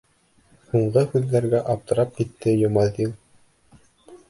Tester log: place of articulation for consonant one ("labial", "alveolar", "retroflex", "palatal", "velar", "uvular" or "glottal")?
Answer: glottal